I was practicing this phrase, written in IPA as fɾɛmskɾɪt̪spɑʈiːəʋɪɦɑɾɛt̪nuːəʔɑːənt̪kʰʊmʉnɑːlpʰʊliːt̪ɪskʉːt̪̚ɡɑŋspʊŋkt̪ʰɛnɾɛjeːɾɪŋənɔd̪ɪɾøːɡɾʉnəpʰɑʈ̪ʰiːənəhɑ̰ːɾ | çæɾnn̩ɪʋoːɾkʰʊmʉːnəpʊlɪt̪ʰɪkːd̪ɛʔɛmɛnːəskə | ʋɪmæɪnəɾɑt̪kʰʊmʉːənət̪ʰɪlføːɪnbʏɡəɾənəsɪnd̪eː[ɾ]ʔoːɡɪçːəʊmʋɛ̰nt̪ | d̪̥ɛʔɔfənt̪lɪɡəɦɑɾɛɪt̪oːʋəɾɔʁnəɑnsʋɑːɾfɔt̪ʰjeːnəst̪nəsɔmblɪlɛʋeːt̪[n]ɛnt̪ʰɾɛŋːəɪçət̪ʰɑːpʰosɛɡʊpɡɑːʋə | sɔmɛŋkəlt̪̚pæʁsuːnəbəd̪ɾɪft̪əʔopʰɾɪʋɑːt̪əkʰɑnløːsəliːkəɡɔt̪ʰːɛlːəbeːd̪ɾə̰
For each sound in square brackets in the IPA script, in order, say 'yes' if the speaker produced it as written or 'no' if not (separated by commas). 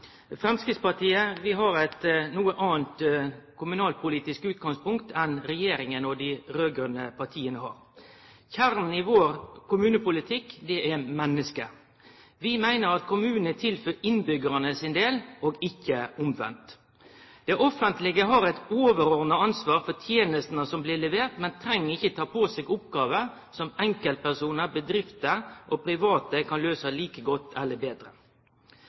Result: no, no